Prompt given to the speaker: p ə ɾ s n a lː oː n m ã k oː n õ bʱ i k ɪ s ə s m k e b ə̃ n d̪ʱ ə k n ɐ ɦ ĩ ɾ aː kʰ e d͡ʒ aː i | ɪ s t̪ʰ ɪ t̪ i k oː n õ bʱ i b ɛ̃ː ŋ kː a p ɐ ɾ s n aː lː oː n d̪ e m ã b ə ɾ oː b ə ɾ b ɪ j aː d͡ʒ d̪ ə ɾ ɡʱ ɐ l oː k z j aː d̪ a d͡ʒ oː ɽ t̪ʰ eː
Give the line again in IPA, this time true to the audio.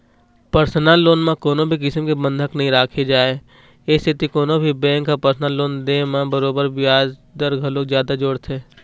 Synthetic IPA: p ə ɾ s n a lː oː n m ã k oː n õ bʱ i k ɪ s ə m k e b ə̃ n d̪ʱ ə k n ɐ ɦ ĩ ɾ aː kʰ e d͡ʒ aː e | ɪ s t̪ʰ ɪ t̪ i k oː n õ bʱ i b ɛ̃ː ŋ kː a p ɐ ɾ s n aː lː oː n d̪ e m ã b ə ɾ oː b ə ɾ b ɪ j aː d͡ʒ d̪ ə ɾ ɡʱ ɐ l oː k z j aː d̪ a d͡ʒ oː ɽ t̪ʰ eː

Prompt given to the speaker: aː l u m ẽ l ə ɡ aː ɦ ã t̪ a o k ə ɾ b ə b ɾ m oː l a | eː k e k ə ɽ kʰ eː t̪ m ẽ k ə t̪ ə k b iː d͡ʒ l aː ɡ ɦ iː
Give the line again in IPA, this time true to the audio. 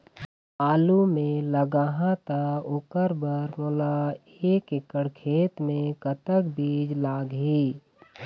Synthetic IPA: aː l u m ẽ l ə ɡ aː ɦ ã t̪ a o k ə ɾ b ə ɾ m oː l a | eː k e k ə ɽ kʰ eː t̪ m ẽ k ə t̪ ə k b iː d͡ʒ l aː ɡ ɦ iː

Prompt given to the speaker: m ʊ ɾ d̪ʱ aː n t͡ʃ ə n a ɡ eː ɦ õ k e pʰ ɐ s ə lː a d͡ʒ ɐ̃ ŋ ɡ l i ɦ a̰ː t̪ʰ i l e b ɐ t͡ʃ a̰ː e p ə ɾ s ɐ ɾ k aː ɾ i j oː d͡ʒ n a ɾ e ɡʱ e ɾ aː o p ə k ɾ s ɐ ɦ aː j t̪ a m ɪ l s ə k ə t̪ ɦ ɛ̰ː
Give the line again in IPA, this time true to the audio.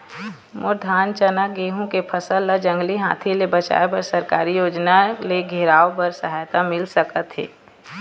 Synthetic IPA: m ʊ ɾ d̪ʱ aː n t͡ʃ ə n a ɡ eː ɦ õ k e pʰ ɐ s ə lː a d͡ʒ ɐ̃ ŋ ɡ l i ɦ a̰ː t̪ʰ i l e b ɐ t͡ʃ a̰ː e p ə ɾ s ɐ ɾ k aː ɾ i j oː d͡ʒ n a l e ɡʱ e ɾ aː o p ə ɾ s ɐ ɦ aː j t̪ a m ɪ l s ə k ə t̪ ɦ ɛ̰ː

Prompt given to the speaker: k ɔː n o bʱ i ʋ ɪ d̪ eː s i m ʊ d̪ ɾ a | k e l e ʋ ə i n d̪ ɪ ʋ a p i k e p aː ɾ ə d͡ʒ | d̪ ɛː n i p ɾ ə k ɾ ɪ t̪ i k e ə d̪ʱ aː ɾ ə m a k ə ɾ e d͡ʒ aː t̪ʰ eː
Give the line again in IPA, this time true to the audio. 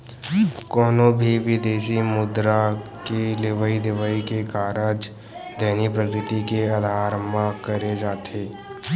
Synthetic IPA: k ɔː n o bʱ i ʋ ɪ d̪ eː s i m ʊ d̪ ɾ a | k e l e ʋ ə i d̪ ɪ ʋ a i k e k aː ɾ ə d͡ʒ | d̪ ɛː n i p ɾ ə k ɾ ɪ t̪ i k e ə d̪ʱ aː ɾ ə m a k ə ɾ e d͡ʒ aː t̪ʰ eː

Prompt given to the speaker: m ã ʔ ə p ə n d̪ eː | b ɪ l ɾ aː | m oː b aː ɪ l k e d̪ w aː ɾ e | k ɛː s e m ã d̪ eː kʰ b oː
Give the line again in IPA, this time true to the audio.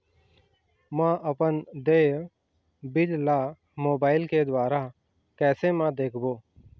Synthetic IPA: m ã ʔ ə p ə n d̪ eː | b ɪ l l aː | m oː b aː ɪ l k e d̪ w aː ɾ a | k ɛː s e m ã d̪ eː kʰ b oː

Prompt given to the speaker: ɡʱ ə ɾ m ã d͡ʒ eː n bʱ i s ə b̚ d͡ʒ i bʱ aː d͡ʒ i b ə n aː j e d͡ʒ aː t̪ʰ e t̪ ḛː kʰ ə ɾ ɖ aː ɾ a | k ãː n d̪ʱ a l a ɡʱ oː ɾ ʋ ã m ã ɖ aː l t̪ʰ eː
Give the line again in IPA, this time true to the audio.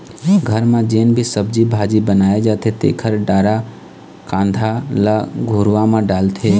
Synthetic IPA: ɡʱ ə ɾ m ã d͡ʒ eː n bʱ i s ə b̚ d͡ʒ i bʱ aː d͡ʒ i b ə n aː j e d͡ʒ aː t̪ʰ e t̪ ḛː kʰ ə ɾ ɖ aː ɾ a | k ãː n d̪ʱ a l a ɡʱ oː ɾ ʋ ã m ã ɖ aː l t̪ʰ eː

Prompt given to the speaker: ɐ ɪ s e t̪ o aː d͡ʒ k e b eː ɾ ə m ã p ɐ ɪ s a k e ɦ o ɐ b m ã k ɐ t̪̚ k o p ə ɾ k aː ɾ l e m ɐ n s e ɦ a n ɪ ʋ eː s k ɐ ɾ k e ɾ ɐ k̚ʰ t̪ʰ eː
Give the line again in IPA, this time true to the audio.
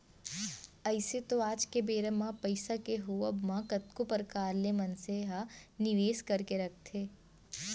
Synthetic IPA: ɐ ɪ s e t̪ o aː d͡ʒ k e b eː ɾ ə m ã p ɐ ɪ s a k e ɦ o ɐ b m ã k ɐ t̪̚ k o p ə ɾ k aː ɾ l e m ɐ n s e ɦ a n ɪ ʋ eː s k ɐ ɾ k e ɾ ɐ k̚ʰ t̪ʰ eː

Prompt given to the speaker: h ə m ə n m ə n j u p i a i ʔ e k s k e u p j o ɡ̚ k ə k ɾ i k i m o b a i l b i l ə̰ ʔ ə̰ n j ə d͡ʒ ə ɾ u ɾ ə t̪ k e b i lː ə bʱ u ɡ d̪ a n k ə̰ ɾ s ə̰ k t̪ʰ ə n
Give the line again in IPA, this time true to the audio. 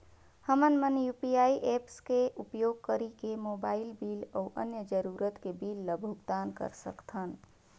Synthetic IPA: h ə m ə n m ə n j u p i a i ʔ e p s k e u p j o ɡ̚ k ə ɾ i k e m o b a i l b i l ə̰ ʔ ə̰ n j ə d͡ʒ ə ɾ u ɾ ə t̪ k e b i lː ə bʱ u ɡ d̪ a n k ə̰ ɾ s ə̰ k t̪ʰ ə n

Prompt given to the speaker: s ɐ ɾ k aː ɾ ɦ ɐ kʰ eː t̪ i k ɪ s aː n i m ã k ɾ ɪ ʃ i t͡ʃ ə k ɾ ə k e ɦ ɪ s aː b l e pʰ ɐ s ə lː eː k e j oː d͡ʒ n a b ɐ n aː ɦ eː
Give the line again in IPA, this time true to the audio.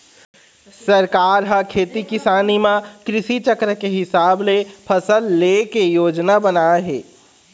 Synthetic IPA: s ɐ ɾ k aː ɾ ɦ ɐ kʰ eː t̪ i k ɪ s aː n i m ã k ɾ ɪ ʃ i t͡ʃ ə k ɾ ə k e ɦ ɪ s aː b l e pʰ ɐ s ə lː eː k e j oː d͡ʒ n a b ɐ n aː ɦ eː

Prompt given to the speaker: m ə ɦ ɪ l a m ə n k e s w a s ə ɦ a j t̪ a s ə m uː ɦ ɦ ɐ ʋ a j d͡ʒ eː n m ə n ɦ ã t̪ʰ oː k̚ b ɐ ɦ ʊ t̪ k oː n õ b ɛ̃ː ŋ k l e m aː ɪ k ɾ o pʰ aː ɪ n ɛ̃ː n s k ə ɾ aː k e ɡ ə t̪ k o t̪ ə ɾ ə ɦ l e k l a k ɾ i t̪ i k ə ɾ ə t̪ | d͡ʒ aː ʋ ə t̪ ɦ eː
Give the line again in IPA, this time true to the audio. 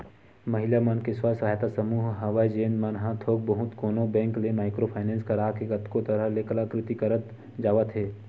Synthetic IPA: m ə ɦ ɪ l a m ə n k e s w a s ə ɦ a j t̪ a s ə m uː ɦ ɦ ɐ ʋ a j d͡ʒ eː n m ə n ɦ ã t̪ʰ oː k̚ b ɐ ɦ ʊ t̪ k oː n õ b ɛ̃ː ŋ k l e m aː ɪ k ɾ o pʰ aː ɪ n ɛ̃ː n s k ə ɾ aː k e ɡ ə t̪ k o t̪ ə ɾ ə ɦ l e k l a k ɾ ɪ t̪ i k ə ɾ ə t̪ | d͡ʒ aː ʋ ə t̪ ɦ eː

